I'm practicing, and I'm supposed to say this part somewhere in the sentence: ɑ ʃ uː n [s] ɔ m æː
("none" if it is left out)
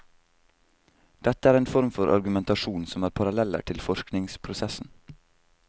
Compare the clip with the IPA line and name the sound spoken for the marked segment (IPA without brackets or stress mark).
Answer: s